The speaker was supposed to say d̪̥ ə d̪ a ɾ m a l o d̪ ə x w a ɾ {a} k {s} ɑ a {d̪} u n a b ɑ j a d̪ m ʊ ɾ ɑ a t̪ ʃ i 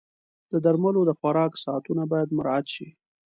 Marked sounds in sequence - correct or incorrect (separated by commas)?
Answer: incorrect, correct, incorrect